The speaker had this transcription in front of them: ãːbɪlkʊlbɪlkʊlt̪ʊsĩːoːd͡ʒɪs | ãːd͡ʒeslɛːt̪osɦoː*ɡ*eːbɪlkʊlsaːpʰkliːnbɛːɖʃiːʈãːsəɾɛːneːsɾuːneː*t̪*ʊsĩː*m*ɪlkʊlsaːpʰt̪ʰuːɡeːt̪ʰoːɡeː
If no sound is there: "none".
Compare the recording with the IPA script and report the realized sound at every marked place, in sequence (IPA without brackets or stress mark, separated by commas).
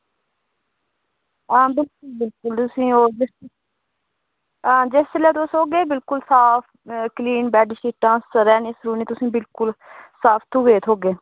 ɡ, t̪, b